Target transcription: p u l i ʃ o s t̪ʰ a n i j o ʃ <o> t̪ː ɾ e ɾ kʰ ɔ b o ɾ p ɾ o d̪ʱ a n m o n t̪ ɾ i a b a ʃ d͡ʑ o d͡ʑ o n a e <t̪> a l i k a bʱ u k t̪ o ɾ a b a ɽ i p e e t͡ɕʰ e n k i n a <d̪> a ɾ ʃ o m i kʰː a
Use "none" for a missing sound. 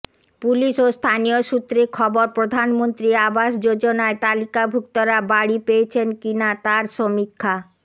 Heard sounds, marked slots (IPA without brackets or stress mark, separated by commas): u, t̪, t̪